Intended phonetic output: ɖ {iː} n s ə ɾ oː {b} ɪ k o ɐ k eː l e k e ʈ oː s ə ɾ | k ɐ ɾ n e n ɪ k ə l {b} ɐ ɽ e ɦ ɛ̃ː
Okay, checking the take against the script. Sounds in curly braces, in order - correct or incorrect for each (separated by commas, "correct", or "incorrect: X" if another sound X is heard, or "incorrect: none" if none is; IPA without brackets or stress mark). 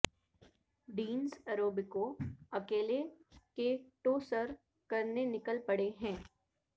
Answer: correct, correct, incorrect: p